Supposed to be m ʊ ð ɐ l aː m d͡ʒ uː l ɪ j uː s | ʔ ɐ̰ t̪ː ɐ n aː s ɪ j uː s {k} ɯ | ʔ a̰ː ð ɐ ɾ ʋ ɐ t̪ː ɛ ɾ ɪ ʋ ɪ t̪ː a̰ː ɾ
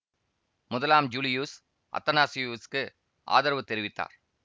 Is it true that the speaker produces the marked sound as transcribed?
yes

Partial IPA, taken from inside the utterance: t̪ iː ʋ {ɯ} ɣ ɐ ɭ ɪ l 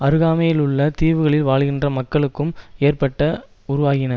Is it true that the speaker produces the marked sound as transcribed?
yes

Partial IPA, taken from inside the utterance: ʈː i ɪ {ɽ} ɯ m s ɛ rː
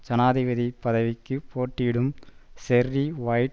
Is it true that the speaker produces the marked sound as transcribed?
yes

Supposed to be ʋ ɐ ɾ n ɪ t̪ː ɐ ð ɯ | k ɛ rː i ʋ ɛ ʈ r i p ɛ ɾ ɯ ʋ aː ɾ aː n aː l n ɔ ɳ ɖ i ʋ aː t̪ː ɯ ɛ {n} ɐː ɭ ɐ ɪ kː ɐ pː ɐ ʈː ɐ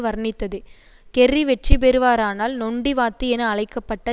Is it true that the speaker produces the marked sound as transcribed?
yes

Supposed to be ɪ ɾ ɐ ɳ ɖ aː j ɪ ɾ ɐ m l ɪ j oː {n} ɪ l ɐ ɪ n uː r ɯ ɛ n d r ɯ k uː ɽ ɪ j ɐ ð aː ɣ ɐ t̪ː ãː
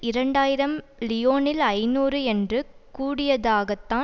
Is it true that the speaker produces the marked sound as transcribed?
yes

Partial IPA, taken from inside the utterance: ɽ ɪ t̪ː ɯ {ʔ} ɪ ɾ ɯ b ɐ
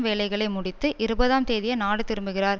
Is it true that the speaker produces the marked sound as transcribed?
yes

